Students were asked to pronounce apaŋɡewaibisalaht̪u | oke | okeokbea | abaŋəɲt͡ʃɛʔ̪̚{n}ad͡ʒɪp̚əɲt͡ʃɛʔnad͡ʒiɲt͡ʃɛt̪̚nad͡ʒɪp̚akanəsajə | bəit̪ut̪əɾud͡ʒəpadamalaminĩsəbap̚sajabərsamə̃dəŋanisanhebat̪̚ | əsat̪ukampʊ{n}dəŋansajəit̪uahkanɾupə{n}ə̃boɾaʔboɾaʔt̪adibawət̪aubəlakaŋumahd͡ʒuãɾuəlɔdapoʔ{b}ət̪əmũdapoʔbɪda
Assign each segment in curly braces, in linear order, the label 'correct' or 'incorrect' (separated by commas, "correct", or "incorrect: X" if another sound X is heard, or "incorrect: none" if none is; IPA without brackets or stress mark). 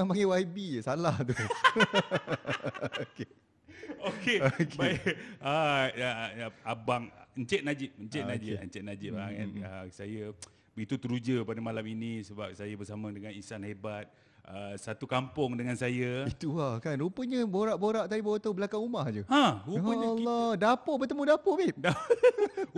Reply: correct, incorrect: ŋ, incorrect: ɲ, correct